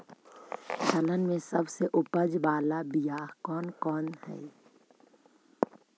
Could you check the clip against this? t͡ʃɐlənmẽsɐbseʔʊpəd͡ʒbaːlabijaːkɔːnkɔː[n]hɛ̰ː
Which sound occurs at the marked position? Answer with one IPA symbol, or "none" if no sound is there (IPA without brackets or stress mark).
n